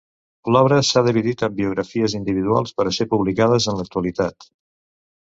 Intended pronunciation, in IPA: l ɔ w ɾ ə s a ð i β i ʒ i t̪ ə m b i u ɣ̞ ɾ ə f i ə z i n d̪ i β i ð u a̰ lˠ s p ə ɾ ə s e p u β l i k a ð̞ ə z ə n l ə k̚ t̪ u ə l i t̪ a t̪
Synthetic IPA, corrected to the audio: l ɔ β ɾ ə s a ð i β i ð i t̪ ə m b i u ɣ̞ ɾ ə f i ə z i n d̪ i β i ð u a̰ lˠ s p ə ɾ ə s e p u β l i k a ð̞ ə z ə n l ə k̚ t̪ u ə l i t̪ a t̪